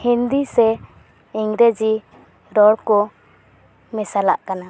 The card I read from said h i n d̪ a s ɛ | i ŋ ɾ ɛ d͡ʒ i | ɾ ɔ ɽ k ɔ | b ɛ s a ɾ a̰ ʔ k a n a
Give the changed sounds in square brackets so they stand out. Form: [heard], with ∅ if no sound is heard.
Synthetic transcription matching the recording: h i n d̪ [i] s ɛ | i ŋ ɾ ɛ d͡ʒ i | ɾ ɔ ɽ k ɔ | [m] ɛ s a [l] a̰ ʔ k a n a